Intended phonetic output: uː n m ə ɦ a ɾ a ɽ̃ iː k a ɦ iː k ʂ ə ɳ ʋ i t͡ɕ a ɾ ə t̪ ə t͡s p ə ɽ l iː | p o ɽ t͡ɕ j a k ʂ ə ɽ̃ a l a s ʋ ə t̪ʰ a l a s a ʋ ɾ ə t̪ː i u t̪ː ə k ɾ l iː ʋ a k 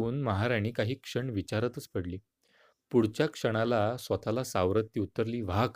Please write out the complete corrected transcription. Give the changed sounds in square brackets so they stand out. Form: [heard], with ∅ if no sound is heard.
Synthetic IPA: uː n m ə ɦ a ɾ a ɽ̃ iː k a ɦ iː k ʂ ə ɳ ʋ i t͡ɕ a ɾ ə t̪ ə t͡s p ə ɽ l iː | p [u] ɽ t͡ɕ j a k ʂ ə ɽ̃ a l a s ʋ ə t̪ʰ a l a s a ʋ ɾ ə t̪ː i u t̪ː ə [∅] ɾ l iː ʋ a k